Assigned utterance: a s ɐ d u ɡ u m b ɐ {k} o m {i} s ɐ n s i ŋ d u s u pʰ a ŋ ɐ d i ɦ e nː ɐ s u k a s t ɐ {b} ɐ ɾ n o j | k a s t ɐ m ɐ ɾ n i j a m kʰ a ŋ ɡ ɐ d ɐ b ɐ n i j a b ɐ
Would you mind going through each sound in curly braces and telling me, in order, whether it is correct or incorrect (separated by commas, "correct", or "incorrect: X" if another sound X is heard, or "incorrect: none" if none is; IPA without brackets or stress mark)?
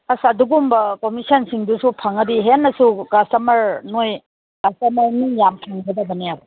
correct, correct, incorrect: m